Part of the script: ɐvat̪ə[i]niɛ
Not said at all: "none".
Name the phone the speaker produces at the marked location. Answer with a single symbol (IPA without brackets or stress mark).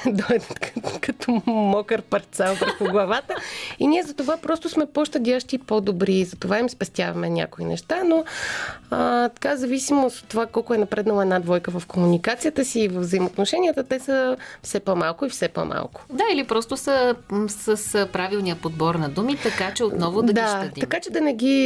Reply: i